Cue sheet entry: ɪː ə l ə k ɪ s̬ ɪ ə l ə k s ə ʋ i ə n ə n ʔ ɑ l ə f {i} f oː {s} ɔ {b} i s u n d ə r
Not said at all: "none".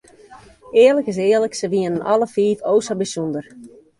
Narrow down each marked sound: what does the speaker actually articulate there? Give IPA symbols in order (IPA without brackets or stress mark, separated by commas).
iː, s, b